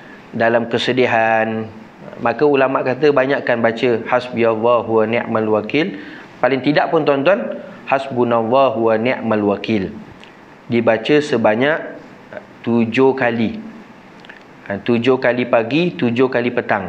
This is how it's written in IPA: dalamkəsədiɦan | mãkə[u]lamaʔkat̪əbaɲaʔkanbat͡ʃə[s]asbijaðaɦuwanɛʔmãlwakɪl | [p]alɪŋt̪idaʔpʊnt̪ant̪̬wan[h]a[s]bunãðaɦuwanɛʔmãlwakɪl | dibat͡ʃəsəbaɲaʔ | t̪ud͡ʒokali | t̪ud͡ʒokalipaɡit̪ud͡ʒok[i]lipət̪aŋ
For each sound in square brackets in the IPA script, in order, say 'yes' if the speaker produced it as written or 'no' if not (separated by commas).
yes, no, yes, yes, yes, no